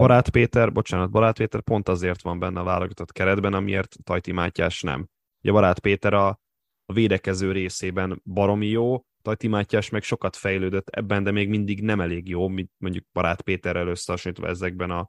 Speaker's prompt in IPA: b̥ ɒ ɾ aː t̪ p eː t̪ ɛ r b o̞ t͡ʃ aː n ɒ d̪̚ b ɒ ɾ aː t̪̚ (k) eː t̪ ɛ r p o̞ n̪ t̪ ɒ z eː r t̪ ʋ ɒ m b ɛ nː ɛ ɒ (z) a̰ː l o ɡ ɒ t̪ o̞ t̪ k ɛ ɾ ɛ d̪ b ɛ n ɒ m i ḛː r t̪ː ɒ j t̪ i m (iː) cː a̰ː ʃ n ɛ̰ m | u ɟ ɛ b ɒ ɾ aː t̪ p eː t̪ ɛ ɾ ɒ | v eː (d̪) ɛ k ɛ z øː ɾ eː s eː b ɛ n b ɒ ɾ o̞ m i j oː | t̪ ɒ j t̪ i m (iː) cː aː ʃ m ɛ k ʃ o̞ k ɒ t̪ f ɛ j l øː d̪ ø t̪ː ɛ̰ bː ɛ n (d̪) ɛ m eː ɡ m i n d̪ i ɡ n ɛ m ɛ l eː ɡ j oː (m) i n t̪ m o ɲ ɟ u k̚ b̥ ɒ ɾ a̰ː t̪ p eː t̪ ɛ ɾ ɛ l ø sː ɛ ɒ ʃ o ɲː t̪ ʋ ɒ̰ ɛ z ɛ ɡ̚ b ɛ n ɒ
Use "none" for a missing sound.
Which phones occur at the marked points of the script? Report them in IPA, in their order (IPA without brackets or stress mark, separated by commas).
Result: p, v, aː, d̪, aː, d̪, m